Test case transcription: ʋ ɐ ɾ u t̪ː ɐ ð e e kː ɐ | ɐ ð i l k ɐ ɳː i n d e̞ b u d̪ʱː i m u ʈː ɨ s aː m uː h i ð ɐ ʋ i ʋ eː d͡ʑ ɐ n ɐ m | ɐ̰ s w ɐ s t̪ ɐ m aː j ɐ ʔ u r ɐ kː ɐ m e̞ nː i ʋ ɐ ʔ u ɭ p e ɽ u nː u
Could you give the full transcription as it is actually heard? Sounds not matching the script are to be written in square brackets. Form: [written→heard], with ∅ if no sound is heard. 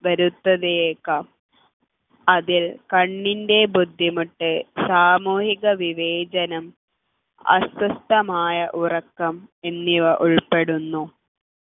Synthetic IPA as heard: ʋ ɐ ɾ u t̪ː ɐ ð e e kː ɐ | ɐ ð i l k ɐ ɳː i n d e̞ b u d̪ʱː i m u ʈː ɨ s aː m uː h i [ð→ɣ] ɐ ʋ i ʋ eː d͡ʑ ɐ n ɐ m | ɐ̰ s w ɐ s t̪ ɐ m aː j ɐ ʔ u r ɐ kː ɐ m e̞ nː i ʋ ɐ ʔ u ɭ p e ɽ u nː u